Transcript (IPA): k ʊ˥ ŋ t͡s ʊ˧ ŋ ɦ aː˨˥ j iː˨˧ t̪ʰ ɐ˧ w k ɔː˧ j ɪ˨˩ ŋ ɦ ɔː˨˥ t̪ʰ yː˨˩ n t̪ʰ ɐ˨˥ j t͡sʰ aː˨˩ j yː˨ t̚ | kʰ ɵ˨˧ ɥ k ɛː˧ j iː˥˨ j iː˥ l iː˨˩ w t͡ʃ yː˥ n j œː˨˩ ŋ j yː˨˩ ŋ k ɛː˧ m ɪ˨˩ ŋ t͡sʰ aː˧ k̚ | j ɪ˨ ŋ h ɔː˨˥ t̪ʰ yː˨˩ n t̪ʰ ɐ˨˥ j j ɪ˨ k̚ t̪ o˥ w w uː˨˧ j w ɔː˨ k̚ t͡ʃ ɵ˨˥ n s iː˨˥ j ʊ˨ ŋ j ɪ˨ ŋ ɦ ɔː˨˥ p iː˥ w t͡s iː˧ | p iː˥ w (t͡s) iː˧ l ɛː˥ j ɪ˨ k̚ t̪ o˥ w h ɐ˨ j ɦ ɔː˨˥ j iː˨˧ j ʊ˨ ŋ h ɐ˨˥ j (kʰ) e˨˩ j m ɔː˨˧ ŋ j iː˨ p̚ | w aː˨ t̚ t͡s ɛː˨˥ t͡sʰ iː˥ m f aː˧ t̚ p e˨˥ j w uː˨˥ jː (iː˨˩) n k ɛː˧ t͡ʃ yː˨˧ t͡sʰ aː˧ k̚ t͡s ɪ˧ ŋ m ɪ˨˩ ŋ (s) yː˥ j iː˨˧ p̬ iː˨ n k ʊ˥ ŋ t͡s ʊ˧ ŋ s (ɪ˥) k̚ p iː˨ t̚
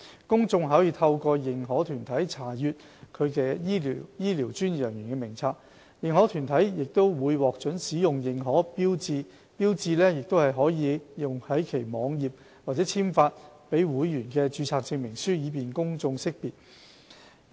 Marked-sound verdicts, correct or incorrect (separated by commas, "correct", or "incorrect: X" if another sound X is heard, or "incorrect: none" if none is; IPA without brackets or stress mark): correct, correct, incorrect: yː˨˩, correct, correct